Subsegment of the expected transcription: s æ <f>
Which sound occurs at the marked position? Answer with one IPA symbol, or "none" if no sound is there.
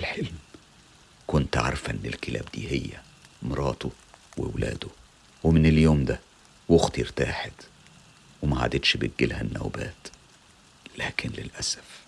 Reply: f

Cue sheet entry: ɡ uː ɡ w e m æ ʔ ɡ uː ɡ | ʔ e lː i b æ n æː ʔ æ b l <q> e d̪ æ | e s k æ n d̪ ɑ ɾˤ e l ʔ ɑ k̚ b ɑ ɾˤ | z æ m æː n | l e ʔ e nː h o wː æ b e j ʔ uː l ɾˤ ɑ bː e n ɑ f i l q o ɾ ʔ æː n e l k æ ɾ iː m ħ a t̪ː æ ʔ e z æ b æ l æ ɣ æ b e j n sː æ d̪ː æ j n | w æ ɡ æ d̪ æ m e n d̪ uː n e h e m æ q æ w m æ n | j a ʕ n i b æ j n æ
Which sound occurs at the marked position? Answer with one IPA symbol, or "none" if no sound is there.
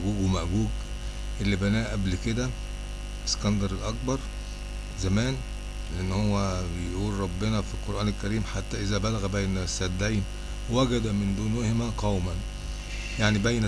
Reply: k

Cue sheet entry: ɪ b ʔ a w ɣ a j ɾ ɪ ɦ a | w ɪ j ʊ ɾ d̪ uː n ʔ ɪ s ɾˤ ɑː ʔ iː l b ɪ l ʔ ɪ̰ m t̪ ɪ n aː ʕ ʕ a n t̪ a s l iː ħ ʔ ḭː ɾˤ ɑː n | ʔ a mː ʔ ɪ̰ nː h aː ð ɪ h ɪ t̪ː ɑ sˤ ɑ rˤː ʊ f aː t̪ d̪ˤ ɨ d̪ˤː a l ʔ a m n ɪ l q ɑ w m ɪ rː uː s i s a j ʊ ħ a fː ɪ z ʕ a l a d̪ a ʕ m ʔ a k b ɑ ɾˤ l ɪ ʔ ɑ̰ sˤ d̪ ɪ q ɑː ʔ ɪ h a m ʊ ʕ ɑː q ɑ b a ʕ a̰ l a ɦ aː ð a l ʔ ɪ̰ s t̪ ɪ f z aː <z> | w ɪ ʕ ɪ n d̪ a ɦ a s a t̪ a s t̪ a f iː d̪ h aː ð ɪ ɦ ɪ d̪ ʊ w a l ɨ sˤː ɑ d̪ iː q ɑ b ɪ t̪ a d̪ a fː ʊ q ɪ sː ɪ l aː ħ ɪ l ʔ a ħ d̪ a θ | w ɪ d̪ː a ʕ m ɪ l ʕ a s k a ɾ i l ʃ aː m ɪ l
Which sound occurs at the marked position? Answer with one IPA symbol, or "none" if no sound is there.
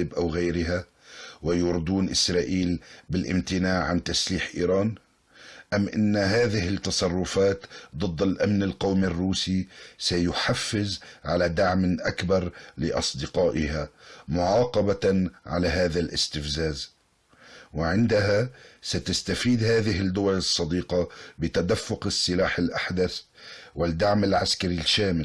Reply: z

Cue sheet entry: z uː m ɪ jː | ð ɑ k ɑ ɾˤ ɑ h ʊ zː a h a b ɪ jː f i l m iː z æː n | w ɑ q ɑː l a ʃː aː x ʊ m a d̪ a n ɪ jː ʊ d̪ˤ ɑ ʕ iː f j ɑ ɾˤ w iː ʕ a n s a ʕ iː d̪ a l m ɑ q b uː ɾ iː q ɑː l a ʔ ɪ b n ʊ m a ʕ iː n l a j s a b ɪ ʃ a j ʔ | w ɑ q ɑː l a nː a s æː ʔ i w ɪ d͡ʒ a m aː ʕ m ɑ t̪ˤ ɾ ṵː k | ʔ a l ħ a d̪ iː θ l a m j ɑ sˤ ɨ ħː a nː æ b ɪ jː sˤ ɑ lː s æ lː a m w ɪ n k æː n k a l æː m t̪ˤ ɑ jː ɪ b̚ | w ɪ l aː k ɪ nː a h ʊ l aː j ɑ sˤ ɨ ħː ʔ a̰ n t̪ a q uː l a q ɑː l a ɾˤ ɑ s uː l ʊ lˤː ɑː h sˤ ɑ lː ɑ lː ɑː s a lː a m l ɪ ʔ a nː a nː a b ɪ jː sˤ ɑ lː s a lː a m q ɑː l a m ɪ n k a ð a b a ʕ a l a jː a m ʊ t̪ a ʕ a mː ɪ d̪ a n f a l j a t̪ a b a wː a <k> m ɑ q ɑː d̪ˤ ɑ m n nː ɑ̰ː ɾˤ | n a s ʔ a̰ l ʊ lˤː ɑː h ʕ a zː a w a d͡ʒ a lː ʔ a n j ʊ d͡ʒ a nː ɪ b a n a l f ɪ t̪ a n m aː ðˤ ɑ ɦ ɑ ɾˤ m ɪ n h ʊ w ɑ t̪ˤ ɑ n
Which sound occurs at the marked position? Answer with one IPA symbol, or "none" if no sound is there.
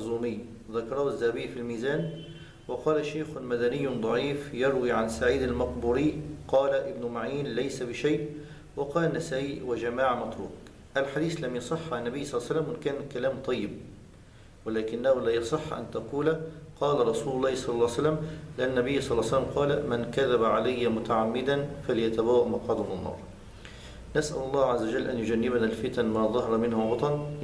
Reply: ʔ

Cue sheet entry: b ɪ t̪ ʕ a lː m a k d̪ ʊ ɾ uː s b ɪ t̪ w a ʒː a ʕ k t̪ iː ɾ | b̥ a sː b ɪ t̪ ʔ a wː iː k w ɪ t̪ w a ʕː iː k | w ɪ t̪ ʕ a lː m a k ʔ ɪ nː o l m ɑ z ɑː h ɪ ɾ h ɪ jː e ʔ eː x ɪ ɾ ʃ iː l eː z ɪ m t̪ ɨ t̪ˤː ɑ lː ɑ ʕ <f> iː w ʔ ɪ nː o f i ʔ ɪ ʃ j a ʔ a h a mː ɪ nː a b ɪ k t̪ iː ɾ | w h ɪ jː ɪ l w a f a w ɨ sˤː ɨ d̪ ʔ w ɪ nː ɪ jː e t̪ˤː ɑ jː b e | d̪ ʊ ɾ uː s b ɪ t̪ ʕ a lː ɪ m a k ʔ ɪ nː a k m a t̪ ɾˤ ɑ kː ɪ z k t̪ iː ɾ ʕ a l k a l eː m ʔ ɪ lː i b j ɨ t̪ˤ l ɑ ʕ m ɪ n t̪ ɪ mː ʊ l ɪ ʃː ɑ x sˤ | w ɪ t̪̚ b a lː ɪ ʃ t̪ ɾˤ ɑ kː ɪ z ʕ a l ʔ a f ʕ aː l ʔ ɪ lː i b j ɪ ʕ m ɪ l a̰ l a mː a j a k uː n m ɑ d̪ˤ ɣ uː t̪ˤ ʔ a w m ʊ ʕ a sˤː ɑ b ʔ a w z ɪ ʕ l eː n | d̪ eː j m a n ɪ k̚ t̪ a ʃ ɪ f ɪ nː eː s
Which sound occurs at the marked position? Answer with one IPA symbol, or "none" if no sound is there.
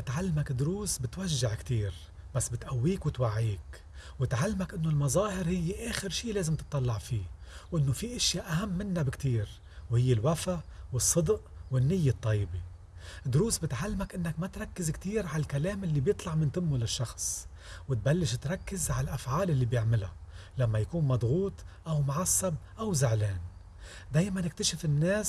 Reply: f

